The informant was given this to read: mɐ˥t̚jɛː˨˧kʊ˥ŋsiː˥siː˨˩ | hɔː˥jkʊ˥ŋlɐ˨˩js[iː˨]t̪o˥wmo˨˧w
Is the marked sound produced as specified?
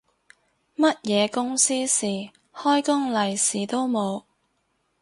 yes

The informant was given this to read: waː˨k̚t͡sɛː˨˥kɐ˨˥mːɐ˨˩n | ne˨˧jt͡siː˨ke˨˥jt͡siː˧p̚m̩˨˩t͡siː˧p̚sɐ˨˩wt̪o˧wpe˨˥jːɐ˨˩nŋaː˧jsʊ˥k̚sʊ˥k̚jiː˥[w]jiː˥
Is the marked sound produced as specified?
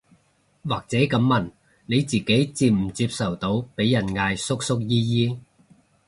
no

